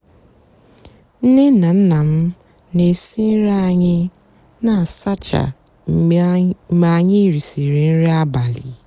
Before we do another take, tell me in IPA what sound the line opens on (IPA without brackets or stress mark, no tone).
n̩